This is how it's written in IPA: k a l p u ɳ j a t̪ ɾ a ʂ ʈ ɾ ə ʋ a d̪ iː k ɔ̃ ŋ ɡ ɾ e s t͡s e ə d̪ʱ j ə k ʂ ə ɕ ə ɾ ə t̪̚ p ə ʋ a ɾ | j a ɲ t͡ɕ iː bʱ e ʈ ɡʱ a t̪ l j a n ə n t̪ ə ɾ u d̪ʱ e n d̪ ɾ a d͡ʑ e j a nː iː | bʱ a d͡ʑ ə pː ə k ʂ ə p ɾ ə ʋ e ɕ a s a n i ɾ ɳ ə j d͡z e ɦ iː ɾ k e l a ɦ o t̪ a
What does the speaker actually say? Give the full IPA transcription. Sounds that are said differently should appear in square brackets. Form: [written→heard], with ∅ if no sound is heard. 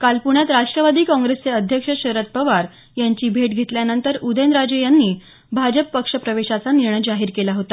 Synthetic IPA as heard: k a l p u ɳ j a t̪ ɾ a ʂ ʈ ɾ ə ʋ a d̪ iː k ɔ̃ ŋ ɡ ɾ e s t͡s e ə d̪ʱ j ə k ʂ ə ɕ ə ɾ ə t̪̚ p ə ʋ a ɾ | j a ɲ t͡ɕ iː bʱ e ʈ ɡʱ [a→e] t̪ l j a n ə n t̪ ə ɾ u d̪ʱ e n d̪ ɾ a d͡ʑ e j a nː iː | bʱ a d͡ʑ ə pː ə k ʂ ə p ɾ ə ʋ e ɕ a [s→t͡s] a n i ɾ ɳ ə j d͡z [e→a] ɦ iː ɾ k e l a ɦ o t̪ a

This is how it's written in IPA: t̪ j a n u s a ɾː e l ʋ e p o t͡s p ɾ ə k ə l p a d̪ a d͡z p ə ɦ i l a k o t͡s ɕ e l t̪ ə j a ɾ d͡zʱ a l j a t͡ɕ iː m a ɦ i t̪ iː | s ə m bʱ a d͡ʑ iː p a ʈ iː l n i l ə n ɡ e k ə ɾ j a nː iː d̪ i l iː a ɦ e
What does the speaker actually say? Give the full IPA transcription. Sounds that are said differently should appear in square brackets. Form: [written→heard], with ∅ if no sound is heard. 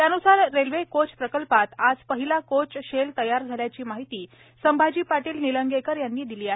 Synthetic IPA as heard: t̪ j a n u s a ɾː e l ʋ e [p→k] o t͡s p ɾ ə k ə l p a [d̪→t̪] a d͡z p ə ɦ i l a k o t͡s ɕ e l t̪ ə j a ɾ d͡zʱ a l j a t͡ɕ iː m a ɦ i t̪ iː | s ə m bʱ a d͡ʑ iː p a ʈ iː l n i l ə [n→ŋ] ɡ e k ə ɾ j a nː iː d̪ i l iː a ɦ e

